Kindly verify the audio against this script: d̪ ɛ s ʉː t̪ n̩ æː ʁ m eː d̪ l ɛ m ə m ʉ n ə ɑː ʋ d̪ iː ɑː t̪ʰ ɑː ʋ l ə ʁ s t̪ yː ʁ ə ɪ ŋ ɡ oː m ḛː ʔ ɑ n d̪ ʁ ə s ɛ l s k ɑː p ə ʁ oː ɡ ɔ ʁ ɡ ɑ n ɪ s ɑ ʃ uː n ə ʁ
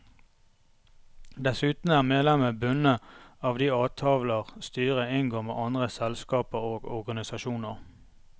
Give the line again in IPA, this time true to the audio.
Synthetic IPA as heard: d̪ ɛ s ʉː t̪ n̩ æː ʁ m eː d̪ l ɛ m ə b ʉ n ə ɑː ʋ d̪ iː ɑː t̪ʰ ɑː ʋ l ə ʁ s t̪ yː ʁ ə ɪ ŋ ɡ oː m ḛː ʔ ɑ n d̪ ʁ ə s ɛ l s k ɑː p ə ʁ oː ɡ ɔ ʁ ɡ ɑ n ɪ s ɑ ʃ uː n ə ʁ